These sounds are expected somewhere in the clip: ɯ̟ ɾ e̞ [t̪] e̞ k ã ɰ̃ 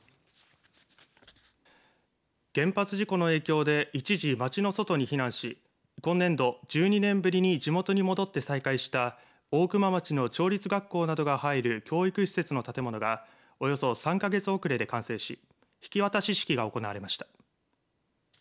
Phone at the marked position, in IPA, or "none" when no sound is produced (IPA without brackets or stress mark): d̪